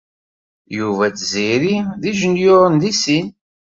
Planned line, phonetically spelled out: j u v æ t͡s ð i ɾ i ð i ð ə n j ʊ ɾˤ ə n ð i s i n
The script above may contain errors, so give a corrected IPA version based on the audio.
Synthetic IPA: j u v æ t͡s z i ɾ i ð i ʒ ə n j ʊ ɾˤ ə n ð i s i n